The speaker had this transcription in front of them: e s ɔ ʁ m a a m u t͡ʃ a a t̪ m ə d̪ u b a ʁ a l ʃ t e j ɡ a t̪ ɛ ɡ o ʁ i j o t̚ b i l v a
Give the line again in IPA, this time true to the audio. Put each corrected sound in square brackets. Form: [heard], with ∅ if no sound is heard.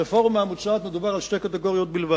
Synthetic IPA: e [f] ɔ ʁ m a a m u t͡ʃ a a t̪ m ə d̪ u b a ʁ a l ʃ t e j [k] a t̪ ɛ ɡ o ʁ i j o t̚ b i l v a